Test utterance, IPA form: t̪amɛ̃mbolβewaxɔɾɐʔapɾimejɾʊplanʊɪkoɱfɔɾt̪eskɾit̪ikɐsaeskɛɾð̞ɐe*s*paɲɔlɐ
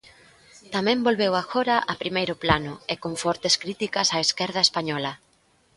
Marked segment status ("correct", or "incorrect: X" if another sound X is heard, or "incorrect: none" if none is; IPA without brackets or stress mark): correct